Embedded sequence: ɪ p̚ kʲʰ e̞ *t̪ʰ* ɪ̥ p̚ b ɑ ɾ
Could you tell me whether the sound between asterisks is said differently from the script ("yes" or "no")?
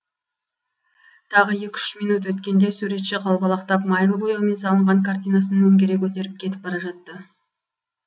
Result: yes